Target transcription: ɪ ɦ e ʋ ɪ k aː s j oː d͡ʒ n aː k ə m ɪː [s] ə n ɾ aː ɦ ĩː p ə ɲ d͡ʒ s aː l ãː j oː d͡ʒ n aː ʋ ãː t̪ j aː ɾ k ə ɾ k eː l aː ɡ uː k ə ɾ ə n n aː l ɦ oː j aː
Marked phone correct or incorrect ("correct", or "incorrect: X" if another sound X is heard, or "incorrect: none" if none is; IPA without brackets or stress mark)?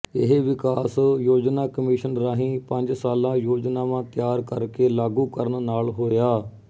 incorrect: ʃ